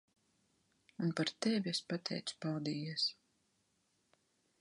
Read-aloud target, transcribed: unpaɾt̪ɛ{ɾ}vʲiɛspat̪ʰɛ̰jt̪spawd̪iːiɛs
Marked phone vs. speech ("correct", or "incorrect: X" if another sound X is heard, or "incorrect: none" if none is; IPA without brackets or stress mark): incorrect: none